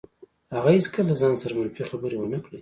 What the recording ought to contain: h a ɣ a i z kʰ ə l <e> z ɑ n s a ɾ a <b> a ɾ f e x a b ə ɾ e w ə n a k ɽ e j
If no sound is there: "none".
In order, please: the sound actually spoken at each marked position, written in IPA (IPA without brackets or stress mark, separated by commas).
a, m